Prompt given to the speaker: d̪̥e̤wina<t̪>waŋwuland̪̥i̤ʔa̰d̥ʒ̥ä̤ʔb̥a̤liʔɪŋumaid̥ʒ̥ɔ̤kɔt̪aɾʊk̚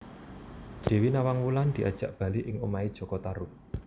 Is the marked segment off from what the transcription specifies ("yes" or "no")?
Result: yes